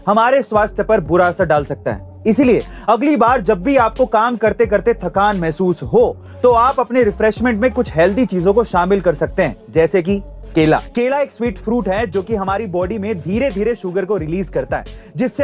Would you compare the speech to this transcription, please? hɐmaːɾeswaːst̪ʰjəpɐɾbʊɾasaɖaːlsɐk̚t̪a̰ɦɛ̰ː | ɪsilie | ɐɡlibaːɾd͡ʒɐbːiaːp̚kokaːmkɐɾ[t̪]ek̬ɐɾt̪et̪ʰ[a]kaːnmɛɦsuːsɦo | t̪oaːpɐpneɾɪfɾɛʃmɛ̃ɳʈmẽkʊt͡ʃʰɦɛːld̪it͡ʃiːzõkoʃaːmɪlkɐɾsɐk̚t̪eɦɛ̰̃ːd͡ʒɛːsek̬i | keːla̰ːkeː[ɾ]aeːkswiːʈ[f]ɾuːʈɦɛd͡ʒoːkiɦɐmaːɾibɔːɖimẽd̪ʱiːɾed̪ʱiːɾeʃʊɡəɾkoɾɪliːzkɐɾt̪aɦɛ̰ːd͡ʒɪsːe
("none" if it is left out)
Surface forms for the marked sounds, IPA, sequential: t̪, ɐ, l, f

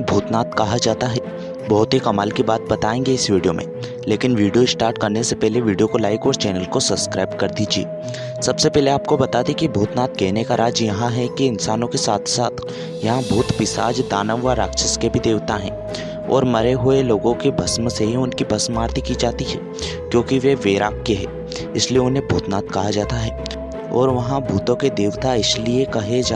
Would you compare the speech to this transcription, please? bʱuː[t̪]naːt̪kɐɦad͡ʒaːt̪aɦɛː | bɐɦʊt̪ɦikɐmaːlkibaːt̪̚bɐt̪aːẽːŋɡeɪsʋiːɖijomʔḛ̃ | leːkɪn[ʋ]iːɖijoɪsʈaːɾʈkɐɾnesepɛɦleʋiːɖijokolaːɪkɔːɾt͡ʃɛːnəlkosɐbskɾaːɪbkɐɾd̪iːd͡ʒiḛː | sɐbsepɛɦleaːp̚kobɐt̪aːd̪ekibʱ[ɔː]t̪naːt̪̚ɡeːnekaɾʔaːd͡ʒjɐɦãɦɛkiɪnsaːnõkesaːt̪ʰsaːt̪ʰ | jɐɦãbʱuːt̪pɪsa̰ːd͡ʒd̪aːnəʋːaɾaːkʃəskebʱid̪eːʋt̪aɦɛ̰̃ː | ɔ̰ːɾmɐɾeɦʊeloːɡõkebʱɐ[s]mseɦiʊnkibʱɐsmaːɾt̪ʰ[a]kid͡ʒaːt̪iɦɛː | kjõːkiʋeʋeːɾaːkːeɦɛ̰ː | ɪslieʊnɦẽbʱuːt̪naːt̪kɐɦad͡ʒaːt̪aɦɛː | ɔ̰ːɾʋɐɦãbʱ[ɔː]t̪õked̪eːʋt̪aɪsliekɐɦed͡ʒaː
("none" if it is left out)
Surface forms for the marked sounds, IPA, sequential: t̪, ʋ, uː, s, i, uː

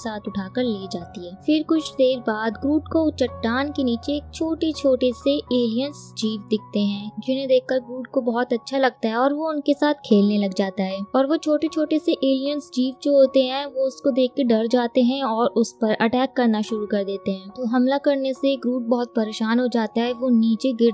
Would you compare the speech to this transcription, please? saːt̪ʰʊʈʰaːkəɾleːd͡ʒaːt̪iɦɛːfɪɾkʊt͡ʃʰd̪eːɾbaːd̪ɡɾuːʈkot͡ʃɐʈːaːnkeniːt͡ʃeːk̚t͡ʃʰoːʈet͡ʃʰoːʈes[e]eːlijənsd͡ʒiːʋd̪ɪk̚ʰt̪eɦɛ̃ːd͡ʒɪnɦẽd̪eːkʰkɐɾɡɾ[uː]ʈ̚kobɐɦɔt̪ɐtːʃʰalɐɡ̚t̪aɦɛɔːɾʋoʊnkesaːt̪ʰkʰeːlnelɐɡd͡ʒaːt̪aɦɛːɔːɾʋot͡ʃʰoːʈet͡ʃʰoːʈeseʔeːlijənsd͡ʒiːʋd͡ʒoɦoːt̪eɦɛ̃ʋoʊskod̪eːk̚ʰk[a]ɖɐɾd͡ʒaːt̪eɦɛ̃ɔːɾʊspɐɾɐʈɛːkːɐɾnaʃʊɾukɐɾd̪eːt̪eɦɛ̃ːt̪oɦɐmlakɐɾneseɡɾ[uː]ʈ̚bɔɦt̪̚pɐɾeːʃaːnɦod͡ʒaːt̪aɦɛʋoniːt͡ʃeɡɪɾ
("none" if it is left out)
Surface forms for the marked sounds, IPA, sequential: e, uː, e, uː

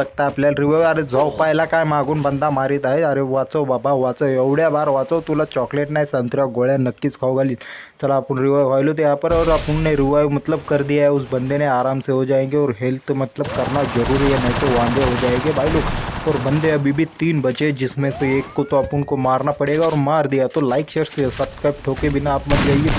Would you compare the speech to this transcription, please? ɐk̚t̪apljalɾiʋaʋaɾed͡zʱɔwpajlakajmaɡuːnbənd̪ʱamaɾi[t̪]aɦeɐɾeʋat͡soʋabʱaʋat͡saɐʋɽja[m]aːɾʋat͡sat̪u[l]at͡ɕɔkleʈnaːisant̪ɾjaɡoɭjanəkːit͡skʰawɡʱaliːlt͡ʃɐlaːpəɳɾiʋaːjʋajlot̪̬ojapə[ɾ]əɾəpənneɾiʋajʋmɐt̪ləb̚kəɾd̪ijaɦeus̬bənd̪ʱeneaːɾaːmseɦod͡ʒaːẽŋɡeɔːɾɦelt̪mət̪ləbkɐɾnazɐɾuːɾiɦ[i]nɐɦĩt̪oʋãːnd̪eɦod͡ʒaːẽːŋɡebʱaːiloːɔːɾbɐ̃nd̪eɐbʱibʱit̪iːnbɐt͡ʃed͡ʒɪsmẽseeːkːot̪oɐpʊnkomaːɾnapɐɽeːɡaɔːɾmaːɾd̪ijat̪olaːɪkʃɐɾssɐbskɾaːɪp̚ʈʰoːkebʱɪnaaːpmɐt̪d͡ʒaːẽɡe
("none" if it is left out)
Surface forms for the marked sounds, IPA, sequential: t̪, b, l, ɾ, ɛ

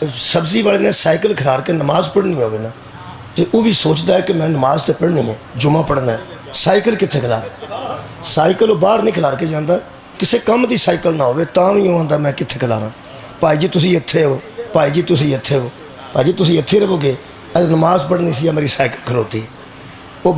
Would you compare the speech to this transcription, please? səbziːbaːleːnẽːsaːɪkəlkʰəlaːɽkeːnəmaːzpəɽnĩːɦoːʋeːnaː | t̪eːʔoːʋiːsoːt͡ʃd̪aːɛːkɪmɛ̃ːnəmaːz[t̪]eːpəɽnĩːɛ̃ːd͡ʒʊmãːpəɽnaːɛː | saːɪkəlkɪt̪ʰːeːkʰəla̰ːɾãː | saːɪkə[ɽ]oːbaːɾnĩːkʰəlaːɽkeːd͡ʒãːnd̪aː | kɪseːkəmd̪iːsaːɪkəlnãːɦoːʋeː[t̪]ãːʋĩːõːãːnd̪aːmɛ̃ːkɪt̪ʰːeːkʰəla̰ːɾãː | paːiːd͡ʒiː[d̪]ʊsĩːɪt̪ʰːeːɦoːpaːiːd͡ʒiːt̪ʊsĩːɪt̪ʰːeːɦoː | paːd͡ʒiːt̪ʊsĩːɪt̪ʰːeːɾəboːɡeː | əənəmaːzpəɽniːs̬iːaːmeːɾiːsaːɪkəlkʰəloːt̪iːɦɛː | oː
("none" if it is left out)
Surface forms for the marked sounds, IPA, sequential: t̪, l, t̪, t̪

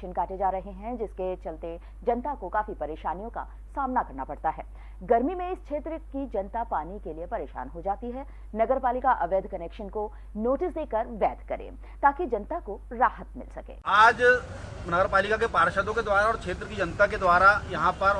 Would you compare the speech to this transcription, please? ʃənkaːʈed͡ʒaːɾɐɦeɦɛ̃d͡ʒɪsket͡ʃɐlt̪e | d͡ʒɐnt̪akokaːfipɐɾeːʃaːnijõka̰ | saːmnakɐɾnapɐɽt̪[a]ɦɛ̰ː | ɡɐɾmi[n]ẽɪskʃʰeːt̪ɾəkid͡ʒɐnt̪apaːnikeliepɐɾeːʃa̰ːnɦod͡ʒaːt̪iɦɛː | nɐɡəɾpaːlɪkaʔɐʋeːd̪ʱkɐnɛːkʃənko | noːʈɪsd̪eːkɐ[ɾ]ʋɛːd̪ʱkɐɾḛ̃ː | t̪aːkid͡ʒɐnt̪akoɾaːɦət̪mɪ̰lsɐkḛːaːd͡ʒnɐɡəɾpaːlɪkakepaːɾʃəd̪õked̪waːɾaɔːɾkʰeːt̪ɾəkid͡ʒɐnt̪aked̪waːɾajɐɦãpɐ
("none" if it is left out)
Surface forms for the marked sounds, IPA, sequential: a, m, ɾ

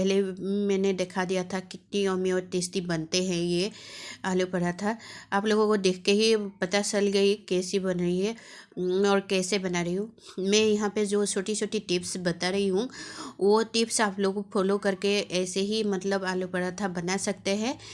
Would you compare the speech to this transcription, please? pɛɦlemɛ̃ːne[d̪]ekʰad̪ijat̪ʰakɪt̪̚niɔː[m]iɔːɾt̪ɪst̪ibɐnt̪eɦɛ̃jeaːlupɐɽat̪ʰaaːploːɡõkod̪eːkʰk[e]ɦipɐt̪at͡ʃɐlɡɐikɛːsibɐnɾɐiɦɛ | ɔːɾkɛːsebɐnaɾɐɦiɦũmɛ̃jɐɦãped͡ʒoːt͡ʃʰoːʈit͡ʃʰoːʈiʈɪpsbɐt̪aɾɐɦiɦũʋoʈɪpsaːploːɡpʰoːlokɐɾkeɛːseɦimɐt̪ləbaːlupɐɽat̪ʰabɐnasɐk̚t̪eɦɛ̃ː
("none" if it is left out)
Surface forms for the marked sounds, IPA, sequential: d̪, m, e

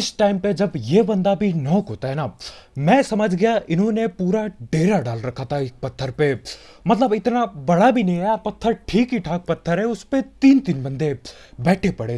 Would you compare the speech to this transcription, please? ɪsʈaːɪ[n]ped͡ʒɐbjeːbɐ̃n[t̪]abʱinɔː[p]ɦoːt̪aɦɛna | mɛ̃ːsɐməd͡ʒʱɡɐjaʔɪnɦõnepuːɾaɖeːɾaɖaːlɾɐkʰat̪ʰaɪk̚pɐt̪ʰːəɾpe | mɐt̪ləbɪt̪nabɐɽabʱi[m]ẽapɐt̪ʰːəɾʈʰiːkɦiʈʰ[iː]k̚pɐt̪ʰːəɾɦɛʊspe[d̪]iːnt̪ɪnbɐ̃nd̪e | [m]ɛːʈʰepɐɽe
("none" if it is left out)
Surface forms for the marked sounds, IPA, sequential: m, d̪, k, n, aː, t̪, b

